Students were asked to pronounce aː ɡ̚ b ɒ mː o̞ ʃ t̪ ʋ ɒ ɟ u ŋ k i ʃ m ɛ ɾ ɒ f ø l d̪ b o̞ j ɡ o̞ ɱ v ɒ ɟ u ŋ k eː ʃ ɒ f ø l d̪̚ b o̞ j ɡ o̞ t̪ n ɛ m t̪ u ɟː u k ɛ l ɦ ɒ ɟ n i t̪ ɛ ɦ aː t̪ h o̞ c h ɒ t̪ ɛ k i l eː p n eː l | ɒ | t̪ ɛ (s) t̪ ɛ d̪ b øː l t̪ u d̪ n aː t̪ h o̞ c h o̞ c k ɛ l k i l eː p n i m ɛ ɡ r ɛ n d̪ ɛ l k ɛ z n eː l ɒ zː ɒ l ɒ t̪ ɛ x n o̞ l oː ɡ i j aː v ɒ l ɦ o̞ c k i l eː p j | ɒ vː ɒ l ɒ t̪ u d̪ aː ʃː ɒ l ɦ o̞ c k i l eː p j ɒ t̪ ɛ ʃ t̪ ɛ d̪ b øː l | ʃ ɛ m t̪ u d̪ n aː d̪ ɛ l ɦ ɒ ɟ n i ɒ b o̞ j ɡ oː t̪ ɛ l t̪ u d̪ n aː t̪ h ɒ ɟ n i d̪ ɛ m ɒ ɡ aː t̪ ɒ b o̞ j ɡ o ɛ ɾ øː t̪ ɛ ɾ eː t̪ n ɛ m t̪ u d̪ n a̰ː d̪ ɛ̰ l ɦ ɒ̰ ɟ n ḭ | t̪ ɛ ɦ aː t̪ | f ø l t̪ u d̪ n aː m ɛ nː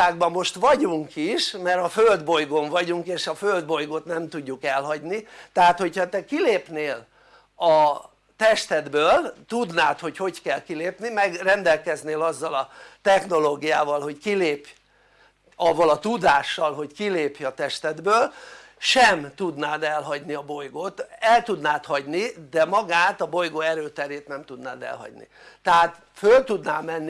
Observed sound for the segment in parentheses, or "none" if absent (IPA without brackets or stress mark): ʃ